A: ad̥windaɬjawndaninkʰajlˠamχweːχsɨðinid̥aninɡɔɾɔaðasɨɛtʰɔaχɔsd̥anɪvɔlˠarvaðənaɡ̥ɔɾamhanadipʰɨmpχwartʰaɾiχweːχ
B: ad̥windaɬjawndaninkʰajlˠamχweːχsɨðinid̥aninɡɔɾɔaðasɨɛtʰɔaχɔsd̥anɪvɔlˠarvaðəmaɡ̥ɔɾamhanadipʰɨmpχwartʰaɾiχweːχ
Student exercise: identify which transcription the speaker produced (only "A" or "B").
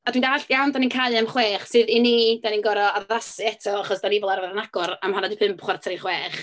A